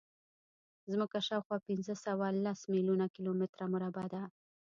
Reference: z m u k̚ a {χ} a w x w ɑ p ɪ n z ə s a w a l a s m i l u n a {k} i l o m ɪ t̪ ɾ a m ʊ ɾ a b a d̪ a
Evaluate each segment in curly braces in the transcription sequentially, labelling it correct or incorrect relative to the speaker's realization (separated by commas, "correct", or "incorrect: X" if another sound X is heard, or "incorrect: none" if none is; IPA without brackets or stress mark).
incorrect: ʃ, correct